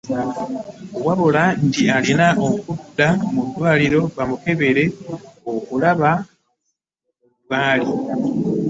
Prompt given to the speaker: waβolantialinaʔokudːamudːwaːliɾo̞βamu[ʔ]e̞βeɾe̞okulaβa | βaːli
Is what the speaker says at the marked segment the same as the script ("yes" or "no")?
no